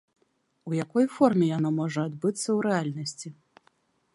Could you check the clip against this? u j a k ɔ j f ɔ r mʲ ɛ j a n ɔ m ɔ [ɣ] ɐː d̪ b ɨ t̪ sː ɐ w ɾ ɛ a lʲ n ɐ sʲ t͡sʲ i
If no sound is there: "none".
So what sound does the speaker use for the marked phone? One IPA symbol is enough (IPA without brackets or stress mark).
ʐ